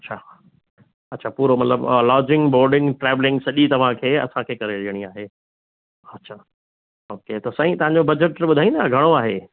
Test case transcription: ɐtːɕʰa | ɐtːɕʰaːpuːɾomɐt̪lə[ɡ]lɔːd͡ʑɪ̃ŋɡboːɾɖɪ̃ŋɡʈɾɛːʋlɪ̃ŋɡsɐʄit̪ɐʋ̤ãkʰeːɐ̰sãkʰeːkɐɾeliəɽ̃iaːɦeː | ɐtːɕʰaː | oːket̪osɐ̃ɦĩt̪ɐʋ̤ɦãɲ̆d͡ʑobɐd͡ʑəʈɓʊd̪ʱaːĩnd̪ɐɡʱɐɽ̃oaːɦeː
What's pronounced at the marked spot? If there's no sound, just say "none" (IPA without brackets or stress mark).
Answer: b